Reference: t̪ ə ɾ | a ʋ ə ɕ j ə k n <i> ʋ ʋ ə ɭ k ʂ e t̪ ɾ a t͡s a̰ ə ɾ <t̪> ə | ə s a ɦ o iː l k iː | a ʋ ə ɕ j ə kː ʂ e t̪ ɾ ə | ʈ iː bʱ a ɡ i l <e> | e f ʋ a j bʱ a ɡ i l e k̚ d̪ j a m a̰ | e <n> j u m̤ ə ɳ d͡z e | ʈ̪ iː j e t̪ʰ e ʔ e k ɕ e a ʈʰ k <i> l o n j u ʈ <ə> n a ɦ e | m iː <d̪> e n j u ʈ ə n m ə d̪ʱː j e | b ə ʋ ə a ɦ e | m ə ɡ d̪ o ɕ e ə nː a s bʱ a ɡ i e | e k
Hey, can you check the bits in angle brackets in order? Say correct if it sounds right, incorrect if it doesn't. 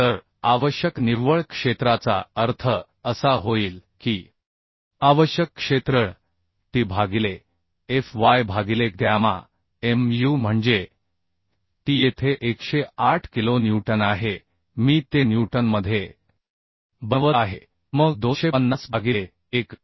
correct, incorrect: t̪ʰ, correct, incorrect: m, correct, correct, incorrect: t̪

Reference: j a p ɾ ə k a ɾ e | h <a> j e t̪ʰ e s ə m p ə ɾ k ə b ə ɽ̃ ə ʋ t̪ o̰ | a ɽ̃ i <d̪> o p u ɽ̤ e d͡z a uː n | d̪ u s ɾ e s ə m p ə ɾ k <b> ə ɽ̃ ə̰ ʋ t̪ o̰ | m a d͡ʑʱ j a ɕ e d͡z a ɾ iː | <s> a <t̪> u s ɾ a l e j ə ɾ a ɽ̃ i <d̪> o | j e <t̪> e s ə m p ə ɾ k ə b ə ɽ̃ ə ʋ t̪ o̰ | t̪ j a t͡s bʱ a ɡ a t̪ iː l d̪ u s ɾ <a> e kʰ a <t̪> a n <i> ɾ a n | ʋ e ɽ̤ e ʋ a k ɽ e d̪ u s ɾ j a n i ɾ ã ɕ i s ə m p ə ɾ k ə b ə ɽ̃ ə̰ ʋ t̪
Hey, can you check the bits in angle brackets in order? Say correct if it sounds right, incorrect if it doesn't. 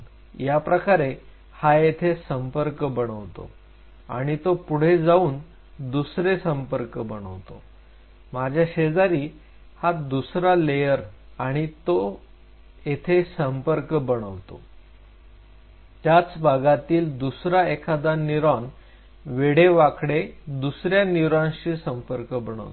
correct, incorrect: t̪, correct, incorrect: h, incorrect: d̪, incorrect: t̪, incorrect: t̪ʰ, correct, incorrect: d̪, correct

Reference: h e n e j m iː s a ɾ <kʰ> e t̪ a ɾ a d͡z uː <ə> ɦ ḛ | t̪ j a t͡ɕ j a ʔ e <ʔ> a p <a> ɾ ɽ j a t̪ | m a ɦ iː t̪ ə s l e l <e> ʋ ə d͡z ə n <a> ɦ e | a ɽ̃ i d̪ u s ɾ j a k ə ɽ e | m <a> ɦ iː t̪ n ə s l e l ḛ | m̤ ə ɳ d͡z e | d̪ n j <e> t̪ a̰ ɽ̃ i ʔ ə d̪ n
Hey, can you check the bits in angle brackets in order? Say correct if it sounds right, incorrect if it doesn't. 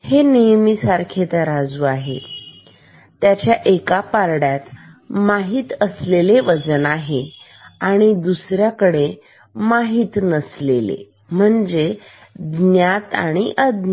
correct, incorrect: a, incorrect: k, correct, correct, correct, correct, incorrect: a

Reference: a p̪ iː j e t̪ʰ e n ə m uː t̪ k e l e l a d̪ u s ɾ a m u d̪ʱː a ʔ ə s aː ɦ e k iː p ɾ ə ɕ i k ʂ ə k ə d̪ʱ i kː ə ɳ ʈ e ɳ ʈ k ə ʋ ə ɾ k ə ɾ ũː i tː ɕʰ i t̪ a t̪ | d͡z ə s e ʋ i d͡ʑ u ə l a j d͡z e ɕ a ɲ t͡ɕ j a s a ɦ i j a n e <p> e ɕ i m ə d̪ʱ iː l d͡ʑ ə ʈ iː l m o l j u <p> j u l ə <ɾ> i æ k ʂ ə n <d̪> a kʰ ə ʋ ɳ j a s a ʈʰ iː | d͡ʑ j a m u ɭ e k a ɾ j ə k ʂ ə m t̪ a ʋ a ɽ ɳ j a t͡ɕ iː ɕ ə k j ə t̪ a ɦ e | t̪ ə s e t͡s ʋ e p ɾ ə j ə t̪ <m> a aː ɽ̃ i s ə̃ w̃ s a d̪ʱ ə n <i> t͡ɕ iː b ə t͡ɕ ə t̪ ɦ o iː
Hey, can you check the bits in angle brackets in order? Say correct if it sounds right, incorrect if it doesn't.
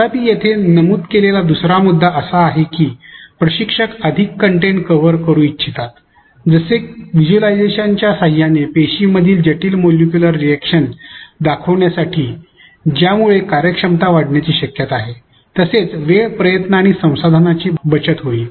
correct, incorrect: k, incorrect: ɾː, correct, incorrect: n, incorrect: a

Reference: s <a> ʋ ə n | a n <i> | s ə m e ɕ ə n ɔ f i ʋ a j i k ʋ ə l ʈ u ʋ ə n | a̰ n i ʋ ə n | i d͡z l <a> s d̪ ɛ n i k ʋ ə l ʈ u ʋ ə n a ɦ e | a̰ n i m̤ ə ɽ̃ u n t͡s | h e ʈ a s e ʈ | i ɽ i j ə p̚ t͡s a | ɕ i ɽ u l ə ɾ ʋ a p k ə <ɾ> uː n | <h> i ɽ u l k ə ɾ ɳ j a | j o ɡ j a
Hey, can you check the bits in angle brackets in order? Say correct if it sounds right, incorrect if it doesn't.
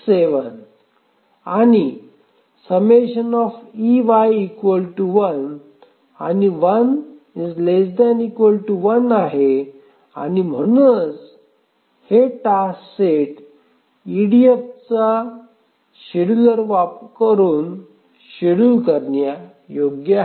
incorrect: e, correct, incorrect: e, correct, incorrect: ɕ

